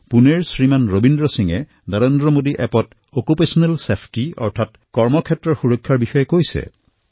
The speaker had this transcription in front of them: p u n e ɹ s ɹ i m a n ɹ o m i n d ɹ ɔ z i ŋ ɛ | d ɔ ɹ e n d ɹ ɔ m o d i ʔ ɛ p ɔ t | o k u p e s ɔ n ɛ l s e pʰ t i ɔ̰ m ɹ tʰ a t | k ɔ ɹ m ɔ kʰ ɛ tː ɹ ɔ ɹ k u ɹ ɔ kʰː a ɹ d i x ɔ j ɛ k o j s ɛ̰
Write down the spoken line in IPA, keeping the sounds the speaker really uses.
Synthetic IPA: p u n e ɹ s ɹ i m a n ɹ o b i n d ɹ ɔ s i ŋ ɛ | n ɔ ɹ e n d ɹ ɔ m o d i ʔ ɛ p ɔ t | o k u p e s ɔ n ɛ l s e pʰ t i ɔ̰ ɹ tʰ a t | k ɔ ɹ m ɔ kʰ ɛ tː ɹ ɔ ɹ x u ɹ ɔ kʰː a ɹ b i x ɔ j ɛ k o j s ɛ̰